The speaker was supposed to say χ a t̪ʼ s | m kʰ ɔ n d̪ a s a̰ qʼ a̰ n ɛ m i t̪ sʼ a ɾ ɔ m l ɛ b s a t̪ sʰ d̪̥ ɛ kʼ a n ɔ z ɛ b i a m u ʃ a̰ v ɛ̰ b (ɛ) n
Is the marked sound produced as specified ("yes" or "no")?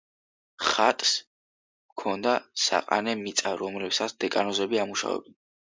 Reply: yes